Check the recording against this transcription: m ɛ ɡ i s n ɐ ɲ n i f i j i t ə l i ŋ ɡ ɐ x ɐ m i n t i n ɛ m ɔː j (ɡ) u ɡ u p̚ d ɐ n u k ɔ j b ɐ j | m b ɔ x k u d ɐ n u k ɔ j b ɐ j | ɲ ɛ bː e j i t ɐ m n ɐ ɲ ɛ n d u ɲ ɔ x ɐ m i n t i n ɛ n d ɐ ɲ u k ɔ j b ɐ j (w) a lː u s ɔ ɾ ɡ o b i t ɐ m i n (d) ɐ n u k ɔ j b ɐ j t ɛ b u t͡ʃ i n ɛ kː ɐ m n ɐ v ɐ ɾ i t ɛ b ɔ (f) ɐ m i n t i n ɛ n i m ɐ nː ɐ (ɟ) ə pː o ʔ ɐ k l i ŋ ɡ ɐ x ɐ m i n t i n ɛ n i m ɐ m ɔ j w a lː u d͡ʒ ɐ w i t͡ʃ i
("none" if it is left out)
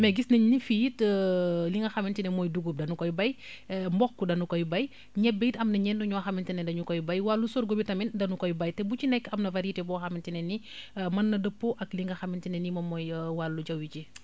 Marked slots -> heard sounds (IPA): d, w, d, x, d

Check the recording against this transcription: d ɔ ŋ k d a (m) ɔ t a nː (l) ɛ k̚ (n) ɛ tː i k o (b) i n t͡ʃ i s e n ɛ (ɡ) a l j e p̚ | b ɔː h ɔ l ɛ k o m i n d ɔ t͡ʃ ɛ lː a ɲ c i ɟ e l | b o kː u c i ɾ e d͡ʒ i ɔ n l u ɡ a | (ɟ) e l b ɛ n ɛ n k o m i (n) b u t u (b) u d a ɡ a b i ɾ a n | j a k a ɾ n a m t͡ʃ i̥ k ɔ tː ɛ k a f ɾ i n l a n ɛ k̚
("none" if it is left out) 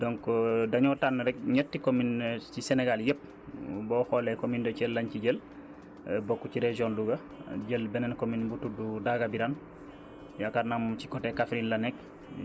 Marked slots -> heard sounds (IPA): ɲ, ɾ, ɲ, m, ɡ, ɟ, n, d

